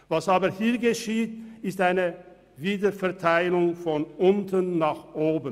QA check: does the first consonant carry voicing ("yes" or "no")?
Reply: yes